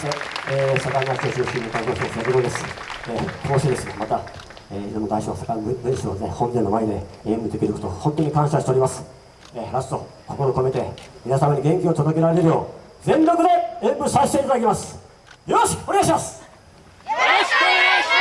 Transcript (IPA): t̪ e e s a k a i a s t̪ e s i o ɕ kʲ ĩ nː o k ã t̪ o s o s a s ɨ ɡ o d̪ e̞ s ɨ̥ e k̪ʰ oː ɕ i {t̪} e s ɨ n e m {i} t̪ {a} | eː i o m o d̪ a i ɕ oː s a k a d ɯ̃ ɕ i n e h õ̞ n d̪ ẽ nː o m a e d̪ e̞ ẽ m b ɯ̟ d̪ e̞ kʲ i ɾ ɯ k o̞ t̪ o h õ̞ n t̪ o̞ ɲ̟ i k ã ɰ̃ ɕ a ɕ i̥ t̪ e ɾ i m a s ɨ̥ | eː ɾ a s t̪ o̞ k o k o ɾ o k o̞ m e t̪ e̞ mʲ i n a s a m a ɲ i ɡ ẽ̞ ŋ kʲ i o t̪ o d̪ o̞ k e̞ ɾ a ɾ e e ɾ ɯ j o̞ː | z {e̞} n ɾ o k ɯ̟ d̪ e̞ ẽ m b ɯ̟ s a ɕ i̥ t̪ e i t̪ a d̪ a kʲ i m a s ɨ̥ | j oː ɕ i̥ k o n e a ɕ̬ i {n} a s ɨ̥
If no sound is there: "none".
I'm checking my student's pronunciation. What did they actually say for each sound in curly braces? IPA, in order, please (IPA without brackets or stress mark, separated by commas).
d̪, a, a, ẽ̞, m